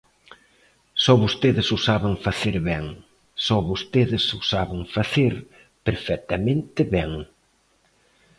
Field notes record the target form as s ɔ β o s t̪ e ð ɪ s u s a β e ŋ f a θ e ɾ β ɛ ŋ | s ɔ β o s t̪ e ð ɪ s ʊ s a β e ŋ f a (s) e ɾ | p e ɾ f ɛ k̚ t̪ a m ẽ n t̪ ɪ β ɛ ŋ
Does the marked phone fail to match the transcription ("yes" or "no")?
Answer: yes